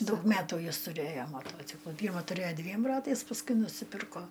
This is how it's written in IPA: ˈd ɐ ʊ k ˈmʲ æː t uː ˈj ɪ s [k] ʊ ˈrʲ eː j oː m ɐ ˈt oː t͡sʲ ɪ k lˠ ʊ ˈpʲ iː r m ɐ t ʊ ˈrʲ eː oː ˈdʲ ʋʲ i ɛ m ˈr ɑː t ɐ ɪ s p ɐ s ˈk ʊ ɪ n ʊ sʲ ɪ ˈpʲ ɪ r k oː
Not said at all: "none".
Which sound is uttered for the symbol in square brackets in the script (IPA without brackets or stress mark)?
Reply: t